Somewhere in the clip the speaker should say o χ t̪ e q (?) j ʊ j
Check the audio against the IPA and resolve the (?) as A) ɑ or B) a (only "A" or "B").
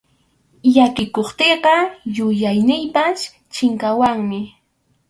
A